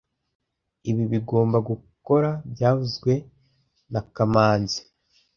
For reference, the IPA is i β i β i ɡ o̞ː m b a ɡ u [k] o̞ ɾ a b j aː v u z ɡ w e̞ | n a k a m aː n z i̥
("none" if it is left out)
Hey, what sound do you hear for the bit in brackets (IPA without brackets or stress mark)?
k